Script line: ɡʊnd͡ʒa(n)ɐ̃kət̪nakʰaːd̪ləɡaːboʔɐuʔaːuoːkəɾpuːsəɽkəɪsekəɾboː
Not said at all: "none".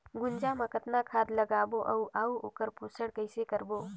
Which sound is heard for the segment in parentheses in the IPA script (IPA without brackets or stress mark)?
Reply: m